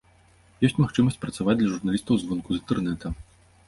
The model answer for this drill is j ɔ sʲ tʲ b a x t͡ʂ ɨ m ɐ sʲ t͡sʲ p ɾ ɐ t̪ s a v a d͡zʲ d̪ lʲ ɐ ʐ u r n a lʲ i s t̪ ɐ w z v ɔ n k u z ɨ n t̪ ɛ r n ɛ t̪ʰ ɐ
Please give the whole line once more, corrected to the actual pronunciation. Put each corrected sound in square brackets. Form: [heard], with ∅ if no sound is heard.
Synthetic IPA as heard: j ɔ sʲ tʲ [m] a x t͡ʂ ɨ m ɐ sʲ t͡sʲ p ɾ ɐ t̪ s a v a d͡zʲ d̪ lʲ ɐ ʐ u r n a lʲ i s t̪ ɐ w z v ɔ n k u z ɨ n t̪ ɛ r n ɛ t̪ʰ ɐ